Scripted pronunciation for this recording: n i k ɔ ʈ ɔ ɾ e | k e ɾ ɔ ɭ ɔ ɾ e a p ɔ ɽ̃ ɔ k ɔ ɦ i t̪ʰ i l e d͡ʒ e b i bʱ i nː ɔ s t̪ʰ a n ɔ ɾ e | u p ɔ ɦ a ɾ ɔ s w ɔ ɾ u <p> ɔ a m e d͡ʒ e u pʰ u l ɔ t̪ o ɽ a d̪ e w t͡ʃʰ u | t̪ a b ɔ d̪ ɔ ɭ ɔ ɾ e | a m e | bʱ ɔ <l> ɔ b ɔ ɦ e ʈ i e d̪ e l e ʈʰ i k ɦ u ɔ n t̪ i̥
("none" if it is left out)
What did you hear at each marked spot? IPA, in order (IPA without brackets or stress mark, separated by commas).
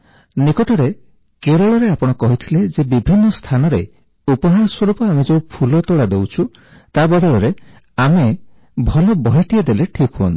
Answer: p, l